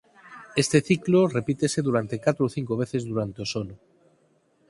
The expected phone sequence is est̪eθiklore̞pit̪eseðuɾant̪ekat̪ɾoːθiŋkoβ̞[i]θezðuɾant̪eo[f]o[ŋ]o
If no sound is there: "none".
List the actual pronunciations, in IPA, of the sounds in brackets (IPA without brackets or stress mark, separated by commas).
e, s, n